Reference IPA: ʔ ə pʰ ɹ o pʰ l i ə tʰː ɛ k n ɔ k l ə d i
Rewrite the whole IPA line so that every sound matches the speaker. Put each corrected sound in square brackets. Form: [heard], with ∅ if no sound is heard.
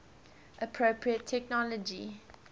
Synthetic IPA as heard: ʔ ə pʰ ɹ o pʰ [ɹ] i ə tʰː ɛ k n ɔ [∅] l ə [d͡ʒ] i